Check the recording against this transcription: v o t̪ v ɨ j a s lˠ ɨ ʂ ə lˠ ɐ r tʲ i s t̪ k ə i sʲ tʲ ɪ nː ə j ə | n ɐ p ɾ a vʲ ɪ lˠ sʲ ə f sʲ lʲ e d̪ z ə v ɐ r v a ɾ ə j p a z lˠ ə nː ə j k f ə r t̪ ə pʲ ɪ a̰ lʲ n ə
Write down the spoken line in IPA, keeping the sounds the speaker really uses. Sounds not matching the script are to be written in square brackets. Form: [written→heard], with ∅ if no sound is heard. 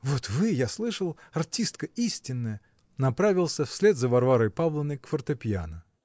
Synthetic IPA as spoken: v o t̪ v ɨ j a s lˠ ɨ ʂ ə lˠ ɐ r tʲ i s t̪ k ə i sʲ tʲ ɪ nː ə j ə | n ɐ p ɾ a vʲ ɪ lˠ sʲ ə f sʲ lʲ e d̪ z ə v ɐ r v a ɾ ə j p a [z→v] lˠ ə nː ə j k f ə r t̪ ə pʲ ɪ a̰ [lʲ→∅] n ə